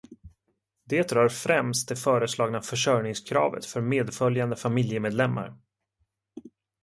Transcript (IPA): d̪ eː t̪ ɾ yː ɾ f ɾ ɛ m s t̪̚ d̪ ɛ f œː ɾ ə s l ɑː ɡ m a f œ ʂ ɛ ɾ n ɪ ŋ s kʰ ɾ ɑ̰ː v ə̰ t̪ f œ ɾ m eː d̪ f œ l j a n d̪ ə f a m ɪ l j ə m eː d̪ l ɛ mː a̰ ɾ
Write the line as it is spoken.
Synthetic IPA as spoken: d̪ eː t̪ ɾ œː ɾ f ɾ ɛ m s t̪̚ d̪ ɛ f œː ɾ ə s l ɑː ɡ n a f œ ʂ œ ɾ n ɪ ŋ s kʰ ɾ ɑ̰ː v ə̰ t̪ f œ ɾ m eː d̪ f œ l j a n d̪ ə f a m ɪ l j ə m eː d̪ l ɛ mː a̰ ɾ